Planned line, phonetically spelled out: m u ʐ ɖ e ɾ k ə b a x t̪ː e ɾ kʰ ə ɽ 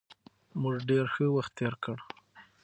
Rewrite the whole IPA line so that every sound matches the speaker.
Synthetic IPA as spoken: m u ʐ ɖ e ɾ x ə w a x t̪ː e ɾ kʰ ə ɽ

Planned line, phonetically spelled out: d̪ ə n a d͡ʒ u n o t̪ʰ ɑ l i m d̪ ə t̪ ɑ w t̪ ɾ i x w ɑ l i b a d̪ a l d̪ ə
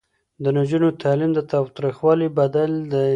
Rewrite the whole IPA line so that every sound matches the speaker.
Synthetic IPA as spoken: d̪ ə n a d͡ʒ u n o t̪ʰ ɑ l i m d̪ ə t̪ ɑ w t̪ ɾ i x w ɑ l i b a d̪ a l d̪ ə

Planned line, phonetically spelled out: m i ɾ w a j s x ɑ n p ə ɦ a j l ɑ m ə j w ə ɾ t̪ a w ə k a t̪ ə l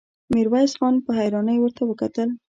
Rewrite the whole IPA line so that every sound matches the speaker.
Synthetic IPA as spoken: m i ɾ w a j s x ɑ n p ə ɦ a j ɾ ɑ n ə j w ə ɾ t̪ a w ə k a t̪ ə l

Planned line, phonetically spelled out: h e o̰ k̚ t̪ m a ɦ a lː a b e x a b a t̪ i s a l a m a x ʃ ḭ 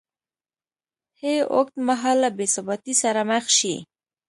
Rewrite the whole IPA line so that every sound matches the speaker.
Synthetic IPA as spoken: h e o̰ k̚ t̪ m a ɦ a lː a b e s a b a t̪ i s a ɾ a m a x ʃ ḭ

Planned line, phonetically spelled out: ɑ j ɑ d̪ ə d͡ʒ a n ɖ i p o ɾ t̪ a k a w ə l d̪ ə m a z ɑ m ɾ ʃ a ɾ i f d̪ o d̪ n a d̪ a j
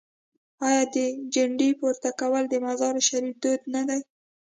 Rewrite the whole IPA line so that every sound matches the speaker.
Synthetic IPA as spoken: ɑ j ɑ d̪ ə d͡ʒ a ɳ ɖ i p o ɾ t̪ a k a w ə l d̪ ə m a z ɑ ɾ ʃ a ɾ i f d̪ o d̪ n a d̪ a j

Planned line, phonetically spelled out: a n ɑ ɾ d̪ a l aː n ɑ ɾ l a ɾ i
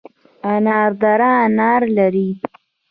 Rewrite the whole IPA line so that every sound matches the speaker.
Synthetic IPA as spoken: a n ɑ ɾ d̪ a ɾ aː n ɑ ɾ l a ɾ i

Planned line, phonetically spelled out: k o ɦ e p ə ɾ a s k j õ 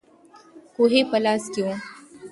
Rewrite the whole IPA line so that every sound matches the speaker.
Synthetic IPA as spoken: k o ɦ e p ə l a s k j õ

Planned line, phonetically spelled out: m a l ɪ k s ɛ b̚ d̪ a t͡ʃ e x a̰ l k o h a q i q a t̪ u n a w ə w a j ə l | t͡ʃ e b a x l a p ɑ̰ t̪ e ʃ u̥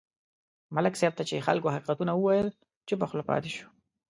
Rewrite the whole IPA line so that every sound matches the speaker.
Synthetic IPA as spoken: m a l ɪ k s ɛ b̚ t̪ a t͡ʃ e x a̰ l k o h a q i q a t̪ u n a w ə w a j ə l | t͡ʃ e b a x l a p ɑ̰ t̪ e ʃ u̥

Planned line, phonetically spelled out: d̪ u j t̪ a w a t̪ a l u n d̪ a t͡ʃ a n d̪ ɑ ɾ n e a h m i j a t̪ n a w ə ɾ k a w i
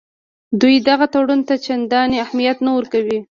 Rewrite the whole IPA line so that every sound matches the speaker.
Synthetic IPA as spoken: d̪ u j d̪ a ɣ a t̪ a ɽ u n t̪ a t͡ʃ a n d̪ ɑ n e a h m i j a t̪ n a w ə ɾ k a w i

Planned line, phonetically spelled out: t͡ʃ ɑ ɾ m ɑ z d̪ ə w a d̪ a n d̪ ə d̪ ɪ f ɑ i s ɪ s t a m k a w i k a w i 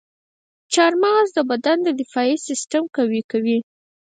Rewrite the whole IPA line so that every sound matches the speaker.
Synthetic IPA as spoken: t͡ʃ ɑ ɾ m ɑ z d̪ ə b a d̪ a n d̪ ə d̪ ɪ f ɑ i s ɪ s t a m k a w i k a w i

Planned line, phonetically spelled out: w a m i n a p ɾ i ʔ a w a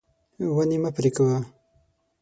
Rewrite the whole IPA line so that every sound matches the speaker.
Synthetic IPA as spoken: w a n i m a p ɾ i k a w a

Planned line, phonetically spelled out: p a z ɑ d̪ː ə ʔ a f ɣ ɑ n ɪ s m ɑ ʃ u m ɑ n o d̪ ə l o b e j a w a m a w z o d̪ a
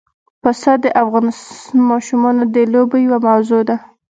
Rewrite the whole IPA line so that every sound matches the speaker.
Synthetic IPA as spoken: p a s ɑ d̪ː ə ʔ a f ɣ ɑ n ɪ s m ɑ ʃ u m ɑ n o d̪ ə l o b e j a w a m a w z o d̪ a

